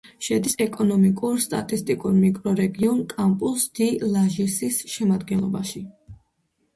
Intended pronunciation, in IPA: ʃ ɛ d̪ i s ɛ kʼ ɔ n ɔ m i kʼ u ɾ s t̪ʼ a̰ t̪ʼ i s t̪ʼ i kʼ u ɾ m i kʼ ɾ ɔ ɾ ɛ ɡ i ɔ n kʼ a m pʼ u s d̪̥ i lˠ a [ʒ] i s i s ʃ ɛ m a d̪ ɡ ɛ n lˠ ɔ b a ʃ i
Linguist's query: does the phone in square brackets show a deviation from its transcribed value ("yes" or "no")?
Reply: no